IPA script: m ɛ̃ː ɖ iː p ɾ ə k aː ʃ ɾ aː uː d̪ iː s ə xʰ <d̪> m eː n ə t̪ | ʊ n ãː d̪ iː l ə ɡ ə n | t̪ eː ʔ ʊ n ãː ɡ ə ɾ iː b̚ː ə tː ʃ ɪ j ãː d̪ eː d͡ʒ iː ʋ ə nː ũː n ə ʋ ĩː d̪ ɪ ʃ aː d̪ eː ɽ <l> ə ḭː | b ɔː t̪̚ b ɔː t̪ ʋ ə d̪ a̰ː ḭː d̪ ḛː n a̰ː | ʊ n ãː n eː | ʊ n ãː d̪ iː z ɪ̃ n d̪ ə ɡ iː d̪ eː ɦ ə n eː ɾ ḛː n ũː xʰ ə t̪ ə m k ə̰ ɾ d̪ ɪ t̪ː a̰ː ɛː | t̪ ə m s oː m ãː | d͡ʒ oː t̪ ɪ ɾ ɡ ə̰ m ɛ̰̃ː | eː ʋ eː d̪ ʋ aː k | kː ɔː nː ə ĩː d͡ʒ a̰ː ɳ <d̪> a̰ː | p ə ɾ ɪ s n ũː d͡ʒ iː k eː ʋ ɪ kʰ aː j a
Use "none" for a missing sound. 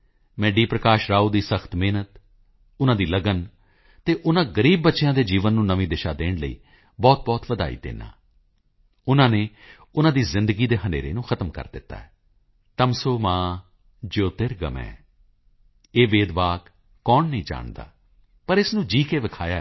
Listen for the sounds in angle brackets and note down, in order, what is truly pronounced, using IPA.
t̪, l, d̪

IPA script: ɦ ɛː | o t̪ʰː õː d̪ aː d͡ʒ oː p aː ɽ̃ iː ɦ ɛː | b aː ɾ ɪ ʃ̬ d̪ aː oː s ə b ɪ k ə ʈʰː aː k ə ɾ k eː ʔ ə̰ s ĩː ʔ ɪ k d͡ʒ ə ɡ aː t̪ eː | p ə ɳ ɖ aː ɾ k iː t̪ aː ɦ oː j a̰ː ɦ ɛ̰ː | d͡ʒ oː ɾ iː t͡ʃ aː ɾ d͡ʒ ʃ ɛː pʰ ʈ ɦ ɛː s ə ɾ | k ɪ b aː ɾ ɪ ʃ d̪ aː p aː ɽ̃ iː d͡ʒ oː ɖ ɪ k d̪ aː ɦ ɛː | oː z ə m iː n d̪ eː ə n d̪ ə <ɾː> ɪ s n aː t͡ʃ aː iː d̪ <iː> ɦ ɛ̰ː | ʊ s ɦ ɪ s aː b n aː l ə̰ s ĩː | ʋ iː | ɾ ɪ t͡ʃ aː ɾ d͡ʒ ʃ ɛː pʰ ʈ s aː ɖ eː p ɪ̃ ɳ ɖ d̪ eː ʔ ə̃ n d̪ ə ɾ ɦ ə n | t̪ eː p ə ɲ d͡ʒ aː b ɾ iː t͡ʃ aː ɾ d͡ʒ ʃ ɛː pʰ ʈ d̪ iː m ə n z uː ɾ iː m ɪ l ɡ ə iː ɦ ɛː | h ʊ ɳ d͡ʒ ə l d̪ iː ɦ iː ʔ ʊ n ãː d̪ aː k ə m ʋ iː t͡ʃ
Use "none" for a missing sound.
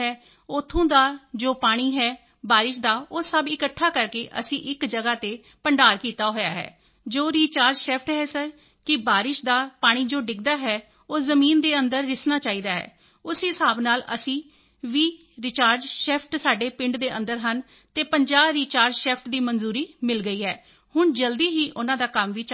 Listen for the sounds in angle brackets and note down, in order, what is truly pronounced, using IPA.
ɾː, aː

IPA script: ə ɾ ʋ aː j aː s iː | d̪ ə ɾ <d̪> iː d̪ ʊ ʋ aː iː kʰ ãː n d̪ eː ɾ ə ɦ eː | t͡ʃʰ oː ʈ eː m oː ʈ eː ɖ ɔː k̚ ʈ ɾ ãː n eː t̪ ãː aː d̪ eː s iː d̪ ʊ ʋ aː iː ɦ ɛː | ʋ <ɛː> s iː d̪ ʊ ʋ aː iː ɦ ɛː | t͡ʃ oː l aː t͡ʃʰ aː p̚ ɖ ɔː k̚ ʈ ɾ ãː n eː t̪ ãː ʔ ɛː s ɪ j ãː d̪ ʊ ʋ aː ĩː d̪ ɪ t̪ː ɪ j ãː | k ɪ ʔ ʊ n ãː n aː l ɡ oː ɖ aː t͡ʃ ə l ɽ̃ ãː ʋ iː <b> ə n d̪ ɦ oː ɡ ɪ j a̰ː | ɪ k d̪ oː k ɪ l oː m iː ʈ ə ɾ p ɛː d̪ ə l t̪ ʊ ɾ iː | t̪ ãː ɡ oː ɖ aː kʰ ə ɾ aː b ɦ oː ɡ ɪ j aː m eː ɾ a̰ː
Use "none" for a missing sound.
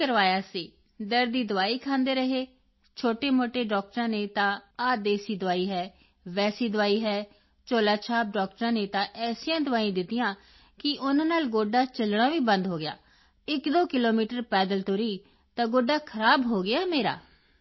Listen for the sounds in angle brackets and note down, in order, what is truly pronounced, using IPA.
d̪, ɛː, b

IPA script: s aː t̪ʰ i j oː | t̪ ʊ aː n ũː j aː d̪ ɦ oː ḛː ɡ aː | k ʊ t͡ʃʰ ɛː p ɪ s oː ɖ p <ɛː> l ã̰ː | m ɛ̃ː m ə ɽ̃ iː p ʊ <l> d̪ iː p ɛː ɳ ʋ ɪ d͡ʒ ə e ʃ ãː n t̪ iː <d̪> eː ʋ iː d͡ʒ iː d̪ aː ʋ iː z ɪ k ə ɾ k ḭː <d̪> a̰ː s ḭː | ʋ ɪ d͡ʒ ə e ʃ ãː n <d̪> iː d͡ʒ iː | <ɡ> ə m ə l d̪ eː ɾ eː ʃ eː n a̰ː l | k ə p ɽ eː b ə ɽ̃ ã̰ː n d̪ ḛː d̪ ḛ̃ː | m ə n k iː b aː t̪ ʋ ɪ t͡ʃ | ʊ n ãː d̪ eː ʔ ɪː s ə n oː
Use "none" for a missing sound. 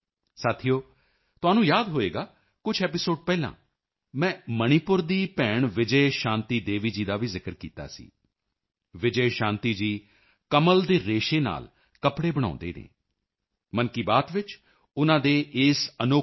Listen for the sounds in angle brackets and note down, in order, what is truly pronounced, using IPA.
ɛː, ɾ, d̪, t̪, t̪, k

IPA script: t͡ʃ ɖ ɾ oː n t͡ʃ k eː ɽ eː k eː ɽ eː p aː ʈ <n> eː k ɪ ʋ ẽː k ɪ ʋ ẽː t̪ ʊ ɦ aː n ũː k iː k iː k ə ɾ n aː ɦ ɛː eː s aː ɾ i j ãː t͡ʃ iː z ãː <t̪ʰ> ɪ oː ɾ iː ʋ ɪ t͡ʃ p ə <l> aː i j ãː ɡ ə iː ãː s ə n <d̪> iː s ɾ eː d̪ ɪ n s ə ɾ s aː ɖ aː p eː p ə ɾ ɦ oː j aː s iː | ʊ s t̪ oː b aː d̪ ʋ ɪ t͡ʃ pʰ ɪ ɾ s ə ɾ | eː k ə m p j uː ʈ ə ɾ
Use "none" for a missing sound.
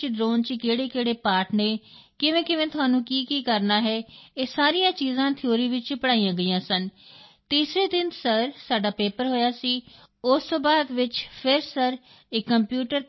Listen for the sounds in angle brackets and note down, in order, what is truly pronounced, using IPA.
n, t̪ʰ, ɽ, t̪

